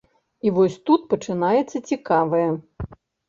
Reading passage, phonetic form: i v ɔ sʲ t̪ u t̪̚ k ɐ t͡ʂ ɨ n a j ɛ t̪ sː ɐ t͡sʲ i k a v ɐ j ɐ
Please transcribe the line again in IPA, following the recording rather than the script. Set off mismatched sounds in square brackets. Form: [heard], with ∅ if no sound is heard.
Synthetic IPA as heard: i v ɔ sʲ t̪ u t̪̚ [p] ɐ t͡ʂ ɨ n a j ɛ t̪ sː ɐ t͡sʲ i k a v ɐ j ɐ